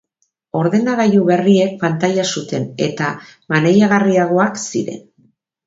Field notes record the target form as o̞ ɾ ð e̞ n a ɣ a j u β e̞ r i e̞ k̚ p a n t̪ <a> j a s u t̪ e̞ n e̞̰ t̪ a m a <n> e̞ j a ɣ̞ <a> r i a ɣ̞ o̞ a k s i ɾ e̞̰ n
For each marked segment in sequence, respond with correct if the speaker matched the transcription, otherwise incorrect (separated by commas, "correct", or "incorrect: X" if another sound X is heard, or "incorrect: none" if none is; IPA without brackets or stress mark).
correct, correct, correct